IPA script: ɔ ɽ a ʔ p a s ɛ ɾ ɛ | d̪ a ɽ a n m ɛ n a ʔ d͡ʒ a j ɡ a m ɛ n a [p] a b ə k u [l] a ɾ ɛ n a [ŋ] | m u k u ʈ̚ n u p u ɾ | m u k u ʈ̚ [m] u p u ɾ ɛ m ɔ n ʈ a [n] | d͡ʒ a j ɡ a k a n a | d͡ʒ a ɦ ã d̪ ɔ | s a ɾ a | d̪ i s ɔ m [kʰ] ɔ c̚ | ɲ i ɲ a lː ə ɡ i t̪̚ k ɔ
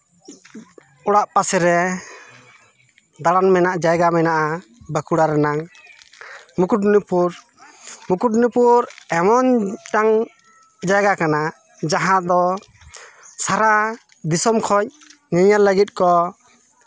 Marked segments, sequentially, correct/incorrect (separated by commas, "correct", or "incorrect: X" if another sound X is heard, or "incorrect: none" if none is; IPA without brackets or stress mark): incorrect: ʔ, incorrect: ɽ, correct, incorrect: n, incorrect: ŋ, correct